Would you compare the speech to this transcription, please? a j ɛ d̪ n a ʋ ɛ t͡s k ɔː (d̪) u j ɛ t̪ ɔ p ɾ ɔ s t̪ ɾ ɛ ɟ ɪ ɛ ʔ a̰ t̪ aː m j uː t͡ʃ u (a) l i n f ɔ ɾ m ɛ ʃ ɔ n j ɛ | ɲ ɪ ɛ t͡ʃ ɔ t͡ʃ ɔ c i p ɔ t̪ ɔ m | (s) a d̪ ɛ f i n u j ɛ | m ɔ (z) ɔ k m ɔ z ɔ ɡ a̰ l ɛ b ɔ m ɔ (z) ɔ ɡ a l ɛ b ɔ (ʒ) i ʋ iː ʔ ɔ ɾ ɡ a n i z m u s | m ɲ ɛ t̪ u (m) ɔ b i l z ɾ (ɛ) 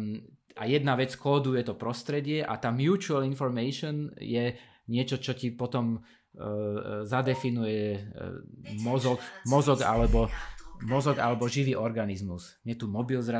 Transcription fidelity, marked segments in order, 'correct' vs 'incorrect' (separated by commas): correct, correct, incorrect, correct, correct, correct, correct, incorrect